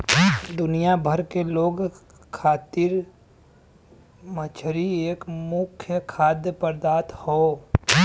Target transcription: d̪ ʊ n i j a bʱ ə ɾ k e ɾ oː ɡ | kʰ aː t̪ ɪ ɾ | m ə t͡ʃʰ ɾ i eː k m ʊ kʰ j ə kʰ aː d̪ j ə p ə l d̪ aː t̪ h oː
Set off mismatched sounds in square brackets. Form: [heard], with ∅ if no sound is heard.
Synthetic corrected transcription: d̪ ʊ n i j a bʱ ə ɾ k e [l] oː ɡ | kʰ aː t̪ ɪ ɾ | m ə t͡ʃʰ ɾ i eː k m ʊ kʰ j ə kʰ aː d̪ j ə p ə [ɾ] d̪ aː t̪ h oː